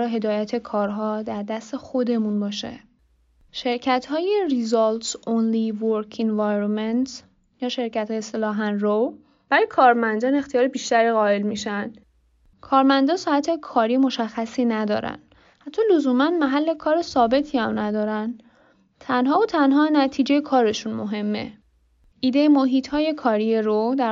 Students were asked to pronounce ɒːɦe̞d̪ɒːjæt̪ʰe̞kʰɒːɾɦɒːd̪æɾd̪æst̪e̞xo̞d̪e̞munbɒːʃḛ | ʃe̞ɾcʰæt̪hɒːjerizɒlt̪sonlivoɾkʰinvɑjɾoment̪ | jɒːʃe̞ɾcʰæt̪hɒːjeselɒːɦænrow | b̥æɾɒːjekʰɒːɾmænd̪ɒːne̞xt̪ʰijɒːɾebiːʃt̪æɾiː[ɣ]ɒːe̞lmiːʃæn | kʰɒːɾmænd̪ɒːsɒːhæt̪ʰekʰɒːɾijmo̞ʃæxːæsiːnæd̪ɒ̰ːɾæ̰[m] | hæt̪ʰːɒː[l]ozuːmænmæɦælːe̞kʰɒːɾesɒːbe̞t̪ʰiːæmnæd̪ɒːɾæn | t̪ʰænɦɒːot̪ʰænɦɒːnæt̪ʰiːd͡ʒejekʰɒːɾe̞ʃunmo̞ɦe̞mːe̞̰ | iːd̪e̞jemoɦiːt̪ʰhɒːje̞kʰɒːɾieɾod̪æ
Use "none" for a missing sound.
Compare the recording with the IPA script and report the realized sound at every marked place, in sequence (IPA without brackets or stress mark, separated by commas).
ɣ, n, l